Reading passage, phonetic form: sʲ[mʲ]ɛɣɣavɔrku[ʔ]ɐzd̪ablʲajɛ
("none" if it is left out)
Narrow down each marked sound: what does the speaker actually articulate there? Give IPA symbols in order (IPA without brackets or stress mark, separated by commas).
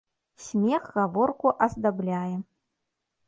mʲ, ʔ